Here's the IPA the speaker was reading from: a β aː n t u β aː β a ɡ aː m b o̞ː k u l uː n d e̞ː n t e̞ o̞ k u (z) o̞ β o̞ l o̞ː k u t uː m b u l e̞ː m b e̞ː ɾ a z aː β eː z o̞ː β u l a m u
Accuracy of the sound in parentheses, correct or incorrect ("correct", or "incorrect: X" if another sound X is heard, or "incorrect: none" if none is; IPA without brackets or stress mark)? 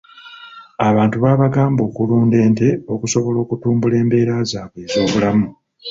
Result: incorrect: s